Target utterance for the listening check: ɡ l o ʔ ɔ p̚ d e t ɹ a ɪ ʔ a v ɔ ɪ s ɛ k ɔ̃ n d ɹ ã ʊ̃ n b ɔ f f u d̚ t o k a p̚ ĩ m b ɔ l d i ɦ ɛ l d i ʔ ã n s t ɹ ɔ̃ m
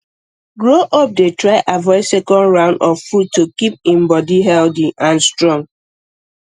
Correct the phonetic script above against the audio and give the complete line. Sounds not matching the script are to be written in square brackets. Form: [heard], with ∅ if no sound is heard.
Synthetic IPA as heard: ɡ [ɹ] o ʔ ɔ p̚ d e t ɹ a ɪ ʔ a v ɔ ɪ s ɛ k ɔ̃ n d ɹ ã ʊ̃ n [d] ɔ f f u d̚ t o k [i] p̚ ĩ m b ɔ [∅] d i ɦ ɛ l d i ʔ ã n s t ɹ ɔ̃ [ŋ]